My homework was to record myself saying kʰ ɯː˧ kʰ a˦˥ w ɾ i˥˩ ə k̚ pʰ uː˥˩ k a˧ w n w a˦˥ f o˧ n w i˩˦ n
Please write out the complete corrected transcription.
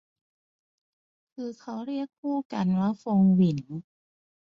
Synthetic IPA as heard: kʰ ɯː˧ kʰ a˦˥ w ɾ i˥˩ ə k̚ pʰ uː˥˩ k a˧ n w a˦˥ f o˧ ŋ w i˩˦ n